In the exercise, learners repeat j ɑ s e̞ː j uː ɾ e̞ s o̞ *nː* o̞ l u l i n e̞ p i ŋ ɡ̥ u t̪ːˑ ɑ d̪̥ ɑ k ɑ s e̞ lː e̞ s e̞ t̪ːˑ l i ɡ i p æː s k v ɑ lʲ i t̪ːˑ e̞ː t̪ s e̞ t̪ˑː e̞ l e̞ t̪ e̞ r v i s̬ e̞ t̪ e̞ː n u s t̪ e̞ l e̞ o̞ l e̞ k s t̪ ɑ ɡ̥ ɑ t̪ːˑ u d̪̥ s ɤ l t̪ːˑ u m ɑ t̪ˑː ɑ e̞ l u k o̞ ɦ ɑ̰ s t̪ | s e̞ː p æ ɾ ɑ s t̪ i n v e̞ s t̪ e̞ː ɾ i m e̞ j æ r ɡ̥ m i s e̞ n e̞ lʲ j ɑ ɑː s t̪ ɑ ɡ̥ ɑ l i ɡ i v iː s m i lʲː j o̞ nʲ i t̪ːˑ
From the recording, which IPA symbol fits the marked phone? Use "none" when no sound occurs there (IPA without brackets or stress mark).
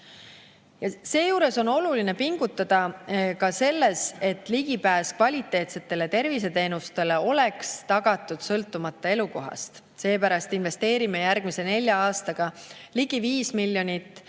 n